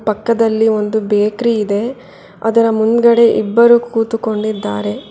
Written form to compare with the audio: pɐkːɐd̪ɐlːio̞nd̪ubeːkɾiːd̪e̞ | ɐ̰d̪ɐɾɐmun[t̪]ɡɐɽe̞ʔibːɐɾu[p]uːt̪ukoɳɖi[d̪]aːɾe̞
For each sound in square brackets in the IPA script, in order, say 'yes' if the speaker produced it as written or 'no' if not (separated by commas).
no, no, no